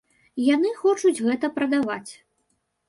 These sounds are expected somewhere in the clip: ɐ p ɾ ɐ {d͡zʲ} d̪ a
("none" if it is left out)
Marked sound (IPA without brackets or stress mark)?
none